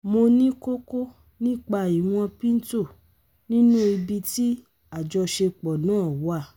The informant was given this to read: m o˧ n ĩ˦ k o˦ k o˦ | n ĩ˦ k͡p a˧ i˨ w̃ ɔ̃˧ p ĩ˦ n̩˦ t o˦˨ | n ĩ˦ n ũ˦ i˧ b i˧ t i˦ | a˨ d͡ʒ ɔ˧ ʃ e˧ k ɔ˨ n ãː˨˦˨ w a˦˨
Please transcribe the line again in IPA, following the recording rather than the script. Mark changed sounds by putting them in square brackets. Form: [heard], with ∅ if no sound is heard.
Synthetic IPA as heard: m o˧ n ĩ˦ k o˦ k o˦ | n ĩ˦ k͡p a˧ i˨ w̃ ɔ̃˧ p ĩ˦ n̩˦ t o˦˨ | n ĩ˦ n ũ˦ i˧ b i˧ t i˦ | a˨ d͡ʒ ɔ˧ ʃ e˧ [k͡p] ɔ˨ n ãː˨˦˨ w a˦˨

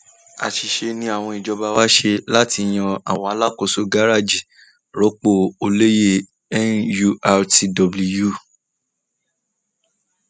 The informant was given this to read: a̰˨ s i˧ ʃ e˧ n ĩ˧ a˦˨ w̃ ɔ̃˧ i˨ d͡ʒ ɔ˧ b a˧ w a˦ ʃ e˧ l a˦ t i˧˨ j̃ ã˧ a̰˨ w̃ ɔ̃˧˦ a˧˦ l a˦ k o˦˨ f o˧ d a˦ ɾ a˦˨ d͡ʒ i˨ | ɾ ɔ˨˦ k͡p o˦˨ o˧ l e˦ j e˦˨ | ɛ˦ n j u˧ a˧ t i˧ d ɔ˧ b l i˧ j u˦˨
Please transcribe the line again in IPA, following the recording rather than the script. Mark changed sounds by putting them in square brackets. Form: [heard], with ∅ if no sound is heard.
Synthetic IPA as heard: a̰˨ [ʃ] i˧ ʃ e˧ n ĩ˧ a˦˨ w̃ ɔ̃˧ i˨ d͡ʒ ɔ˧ b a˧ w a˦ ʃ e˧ l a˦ t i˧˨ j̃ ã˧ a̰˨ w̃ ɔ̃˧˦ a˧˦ l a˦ k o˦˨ [s] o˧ [ɡ] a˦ ɾ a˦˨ d͡ʒ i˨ | ɾ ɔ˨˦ k͡p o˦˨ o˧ l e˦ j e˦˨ | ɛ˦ n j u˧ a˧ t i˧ d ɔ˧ b l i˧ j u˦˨

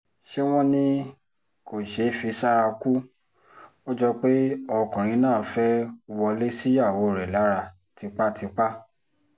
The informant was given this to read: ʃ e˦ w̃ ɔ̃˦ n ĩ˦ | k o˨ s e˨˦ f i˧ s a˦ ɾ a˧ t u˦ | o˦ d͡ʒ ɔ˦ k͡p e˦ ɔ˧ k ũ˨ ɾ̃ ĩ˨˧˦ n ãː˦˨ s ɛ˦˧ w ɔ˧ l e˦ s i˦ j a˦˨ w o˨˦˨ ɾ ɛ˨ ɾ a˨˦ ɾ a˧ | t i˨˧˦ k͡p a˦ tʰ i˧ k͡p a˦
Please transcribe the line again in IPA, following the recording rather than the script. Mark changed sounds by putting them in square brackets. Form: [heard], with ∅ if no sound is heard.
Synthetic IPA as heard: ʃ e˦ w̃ ɔ̃˦ n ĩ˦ | k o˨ [ʃ] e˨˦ f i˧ s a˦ ɾ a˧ [k] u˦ | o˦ d͡ʒ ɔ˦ k͡p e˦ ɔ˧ k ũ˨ ɾ̃ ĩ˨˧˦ n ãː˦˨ [f] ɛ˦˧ w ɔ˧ l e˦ s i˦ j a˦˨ w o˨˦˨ ɾ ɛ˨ [l] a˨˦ ɾ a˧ | t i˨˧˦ k͡p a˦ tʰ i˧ k͡p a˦

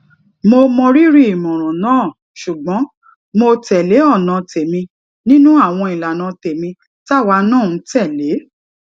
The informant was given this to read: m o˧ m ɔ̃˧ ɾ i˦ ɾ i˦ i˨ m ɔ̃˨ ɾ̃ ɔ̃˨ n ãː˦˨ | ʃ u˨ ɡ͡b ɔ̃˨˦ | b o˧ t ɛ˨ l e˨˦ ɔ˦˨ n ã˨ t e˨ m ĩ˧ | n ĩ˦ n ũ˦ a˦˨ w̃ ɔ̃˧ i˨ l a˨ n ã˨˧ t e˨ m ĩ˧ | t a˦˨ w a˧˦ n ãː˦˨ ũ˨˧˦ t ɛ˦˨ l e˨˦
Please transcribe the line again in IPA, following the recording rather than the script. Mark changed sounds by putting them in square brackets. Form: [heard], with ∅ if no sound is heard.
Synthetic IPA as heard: m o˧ m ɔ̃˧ ɾ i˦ ɾ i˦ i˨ m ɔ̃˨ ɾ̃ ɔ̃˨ n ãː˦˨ | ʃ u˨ ɡ͡b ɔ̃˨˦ | [m] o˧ t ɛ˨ l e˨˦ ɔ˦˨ n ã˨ t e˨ m ĩ˧ | n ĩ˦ n ũ˦ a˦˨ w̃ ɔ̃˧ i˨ l a˨ n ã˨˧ t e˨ m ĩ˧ | t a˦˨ w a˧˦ n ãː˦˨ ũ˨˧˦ t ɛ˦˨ l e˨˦

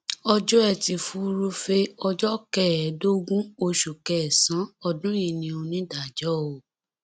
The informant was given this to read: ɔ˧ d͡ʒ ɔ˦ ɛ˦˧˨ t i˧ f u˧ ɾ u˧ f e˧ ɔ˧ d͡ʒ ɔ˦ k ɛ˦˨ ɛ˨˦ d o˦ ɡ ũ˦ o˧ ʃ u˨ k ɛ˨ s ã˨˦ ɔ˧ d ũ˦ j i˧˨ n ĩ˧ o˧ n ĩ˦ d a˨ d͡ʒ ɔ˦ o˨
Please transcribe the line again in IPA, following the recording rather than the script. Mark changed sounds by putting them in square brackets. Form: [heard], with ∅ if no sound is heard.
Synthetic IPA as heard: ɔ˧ d͡ʒ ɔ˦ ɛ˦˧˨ t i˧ f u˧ ɾ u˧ f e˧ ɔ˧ d͡ʒ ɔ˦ k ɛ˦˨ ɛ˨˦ d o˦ ɡ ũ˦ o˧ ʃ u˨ k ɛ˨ s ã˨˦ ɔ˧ d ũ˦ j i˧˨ n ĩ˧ o˧ n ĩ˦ d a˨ d͡ʒ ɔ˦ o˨

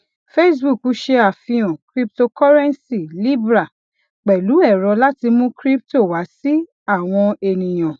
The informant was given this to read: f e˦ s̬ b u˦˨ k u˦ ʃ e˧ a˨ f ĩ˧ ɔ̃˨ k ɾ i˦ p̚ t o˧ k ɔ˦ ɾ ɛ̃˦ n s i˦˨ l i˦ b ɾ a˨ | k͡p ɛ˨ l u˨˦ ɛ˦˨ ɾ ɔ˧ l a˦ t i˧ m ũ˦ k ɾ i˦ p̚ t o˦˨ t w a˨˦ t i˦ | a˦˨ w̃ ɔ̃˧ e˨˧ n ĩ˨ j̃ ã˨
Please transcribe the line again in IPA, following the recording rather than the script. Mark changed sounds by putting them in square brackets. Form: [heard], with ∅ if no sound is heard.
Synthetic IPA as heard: f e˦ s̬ b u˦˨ k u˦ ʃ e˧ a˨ f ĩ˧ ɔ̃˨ k ɾ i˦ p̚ t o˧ k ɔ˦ ɾ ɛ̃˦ n s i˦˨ l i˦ b ɾ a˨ | k͡p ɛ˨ l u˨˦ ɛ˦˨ ɾ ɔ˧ l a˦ t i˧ m ũ˦ k ɾ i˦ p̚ t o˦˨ [∅] w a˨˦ [s] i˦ | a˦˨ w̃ ɔ̃˧ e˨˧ n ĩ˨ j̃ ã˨

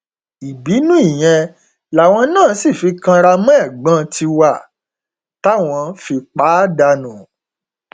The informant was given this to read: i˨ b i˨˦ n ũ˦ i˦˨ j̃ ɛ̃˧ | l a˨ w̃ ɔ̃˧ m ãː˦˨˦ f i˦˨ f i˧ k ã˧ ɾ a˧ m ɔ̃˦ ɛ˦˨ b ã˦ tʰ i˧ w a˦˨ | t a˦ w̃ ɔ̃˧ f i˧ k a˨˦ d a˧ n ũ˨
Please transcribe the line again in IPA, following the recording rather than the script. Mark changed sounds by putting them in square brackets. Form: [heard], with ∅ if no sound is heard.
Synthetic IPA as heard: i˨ b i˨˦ n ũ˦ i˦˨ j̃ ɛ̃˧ | l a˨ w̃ ɔ̃˧ [n] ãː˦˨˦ [s] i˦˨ f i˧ k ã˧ ɾ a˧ m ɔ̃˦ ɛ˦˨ [ɡ͡b] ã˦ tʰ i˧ w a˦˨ | t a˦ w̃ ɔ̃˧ f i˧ [k͡p] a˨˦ d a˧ n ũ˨

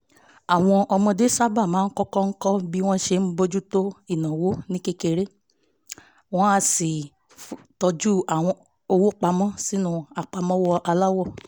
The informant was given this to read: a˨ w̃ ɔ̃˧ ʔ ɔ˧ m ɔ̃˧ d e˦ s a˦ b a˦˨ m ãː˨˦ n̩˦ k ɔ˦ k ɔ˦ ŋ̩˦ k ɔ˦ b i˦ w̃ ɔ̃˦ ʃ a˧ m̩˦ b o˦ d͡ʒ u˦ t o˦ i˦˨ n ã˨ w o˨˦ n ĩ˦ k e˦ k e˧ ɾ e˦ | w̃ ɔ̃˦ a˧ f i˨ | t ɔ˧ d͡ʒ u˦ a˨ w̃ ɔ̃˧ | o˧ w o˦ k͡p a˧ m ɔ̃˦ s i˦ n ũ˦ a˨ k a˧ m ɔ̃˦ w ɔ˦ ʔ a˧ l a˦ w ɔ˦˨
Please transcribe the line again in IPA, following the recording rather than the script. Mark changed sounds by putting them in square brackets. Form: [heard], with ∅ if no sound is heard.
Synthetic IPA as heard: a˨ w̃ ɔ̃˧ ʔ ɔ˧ m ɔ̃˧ d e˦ s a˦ b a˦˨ m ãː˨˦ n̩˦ k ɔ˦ k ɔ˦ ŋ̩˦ k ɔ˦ b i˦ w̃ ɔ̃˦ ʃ [e˧] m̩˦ b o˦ d͡ʒ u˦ t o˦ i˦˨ n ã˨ w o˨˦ n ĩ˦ k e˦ k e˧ ɾ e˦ | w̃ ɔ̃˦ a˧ [s] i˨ | t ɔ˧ d͡ʒ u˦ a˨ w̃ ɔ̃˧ | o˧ w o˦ k͡p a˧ m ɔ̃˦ s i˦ n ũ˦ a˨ [k͡p] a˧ m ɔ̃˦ w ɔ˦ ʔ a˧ l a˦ w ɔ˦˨

